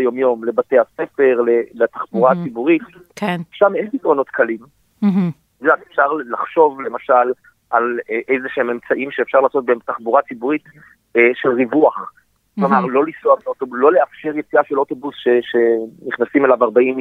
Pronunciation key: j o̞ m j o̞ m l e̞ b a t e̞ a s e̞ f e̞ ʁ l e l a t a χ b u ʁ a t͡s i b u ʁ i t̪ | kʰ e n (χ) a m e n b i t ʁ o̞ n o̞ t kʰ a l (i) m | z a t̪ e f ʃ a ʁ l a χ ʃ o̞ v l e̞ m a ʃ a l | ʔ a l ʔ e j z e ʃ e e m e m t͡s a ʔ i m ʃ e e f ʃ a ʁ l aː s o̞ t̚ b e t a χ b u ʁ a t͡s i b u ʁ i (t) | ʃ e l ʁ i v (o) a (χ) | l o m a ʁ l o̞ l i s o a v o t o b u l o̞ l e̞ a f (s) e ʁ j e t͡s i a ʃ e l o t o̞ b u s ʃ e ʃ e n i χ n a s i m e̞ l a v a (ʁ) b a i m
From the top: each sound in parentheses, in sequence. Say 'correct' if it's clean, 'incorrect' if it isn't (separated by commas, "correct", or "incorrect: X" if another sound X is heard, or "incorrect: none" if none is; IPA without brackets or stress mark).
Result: incorrect: ʃ, correct, correct, incorrect: u, correct, incorrect: ʃ, correct